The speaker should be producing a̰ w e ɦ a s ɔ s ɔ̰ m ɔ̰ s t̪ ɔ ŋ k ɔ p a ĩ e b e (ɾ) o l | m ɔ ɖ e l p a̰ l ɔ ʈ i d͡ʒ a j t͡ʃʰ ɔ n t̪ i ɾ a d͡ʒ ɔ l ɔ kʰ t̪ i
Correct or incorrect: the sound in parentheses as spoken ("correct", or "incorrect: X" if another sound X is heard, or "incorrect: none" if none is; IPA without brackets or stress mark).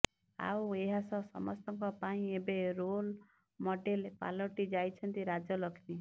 correct